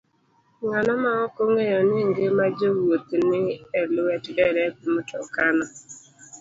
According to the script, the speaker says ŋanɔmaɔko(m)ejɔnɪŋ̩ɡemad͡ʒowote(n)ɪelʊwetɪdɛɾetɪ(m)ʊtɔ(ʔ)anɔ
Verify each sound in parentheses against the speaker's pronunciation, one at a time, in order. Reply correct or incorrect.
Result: incorrect, correct, correct, incorrect

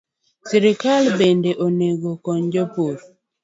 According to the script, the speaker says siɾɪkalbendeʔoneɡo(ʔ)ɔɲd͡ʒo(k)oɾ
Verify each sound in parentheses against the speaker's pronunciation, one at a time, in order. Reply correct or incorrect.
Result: incorrect, incorrect

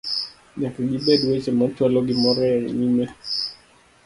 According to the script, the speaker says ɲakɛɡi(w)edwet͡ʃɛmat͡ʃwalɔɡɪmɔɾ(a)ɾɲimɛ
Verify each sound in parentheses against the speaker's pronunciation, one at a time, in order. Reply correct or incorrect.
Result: incorrect, incorrect

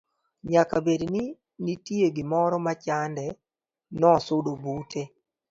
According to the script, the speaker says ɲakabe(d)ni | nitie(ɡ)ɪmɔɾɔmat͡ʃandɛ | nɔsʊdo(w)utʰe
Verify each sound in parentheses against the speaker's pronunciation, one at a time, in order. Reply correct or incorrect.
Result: correct, correct, incorrect

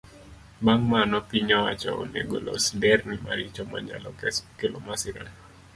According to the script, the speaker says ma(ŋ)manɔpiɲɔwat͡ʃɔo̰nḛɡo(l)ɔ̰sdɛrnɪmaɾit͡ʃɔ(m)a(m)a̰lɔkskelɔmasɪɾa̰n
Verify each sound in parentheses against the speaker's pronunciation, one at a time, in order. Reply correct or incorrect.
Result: correct, correct, correct, incorrect

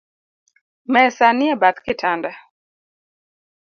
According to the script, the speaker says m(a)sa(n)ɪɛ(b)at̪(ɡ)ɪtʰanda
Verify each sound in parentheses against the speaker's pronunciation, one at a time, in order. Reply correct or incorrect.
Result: incorrect, correct, correct, incorrect

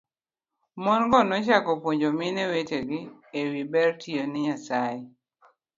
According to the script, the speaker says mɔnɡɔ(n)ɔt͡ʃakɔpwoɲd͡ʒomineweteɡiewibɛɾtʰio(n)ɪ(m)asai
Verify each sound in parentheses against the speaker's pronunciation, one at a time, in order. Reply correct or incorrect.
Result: correct, correct, incorrect

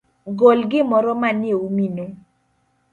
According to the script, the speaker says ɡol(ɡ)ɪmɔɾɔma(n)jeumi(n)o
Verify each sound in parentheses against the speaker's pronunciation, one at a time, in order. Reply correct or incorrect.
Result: correct, correct, correct

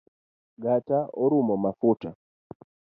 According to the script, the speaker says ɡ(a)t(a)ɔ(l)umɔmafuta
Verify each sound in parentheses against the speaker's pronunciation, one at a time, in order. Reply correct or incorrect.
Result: correct, correct, incorrect

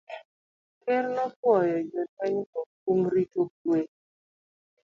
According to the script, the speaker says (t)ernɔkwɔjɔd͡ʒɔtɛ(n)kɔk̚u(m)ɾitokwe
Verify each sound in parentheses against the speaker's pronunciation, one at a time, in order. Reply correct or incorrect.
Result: incorrect, incorrect, correct

